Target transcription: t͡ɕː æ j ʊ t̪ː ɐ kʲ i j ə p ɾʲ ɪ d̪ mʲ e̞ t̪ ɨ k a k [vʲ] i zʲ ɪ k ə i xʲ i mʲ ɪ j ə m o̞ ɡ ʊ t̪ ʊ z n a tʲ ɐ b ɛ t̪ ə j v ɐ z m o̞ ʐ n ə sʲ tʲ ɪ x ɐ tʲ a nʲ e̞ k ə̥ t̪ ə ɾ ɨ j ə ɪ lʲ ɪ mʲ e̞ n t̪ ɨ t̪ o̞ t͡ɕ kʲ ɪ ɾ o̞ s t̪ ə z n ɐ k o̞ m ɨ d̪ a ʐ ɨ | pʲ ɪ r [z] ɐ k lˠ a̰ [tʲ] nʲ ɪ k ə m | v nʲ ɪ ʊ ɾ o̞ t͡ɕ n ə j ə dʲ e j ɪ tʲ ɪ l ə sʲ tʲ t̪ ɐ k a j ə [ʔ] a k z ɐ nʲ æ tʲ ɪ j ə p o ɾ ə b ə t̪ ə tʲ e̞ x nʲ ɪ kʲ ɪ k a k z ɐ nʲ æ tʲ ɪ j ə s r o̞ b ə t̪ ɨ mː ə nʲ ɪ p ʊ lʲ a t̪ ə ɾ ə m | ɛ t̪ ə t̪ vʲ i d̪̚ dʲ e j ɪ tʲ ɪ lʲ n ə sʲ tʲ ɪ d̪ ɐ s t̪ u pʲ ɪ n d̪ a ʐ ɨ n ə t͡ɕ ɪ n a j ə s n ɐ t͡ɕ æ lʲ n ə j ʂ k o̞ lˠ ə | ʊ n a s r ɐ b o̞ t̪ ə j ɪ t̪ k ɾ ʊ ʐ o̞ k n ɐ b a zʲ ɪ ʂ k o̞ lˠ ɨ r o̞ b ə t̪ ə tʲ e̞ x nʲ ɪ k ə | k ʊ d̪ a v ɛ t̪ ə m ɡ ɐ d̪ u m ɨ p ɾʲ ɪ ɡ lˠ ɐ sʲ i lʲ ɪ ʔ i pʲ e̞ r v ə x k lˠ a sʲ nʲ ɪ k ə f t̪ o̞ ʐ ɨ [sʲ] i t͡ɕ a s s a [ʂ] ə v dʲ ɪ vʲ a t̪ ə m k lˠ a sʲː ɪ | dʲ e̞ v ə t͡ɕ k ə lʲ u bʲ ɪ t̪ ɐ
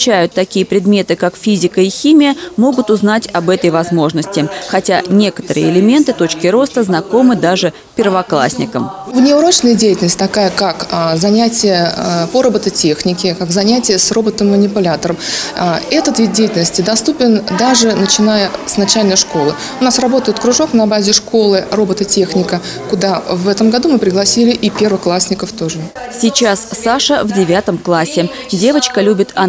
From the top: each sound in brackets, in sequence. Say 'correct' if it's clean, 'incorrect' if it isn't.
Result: incorrect: fʲ, incorrect: v, incorrect: sʲ, incorrect: k, correct, correct

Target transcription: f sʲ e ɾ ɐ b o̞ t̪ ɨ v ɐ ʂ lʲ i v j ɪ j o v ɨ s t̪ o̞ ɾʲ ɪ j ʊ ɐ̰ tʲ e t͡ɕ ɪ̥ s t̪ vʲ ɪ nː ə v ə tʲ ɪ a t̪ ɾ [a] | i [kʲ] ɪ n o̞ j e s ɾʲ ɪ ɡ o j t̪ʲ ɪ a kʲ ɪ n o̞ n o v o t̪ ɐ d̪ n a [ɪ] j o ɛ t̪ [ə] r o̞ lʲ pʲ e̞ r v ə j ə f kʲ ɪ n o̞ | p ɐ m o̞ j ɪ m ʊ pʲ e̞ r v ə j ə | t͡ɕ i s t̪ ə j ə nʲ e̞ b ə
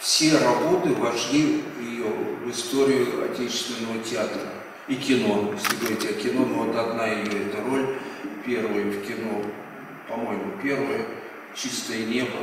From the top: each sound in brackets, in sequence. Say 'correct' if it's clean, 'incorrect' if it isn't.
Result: incorrect: ə, correct, correct, correct

